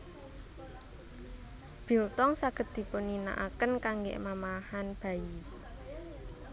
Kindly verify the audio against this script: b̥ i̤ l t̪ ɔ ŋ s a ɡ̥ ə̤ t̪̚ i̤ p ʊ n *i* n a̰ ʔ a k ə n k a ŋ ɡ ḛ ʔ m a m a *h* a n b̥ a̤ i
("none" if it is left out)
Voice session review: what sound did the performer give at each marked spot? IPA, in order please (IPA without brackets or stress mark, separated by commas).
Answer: i, h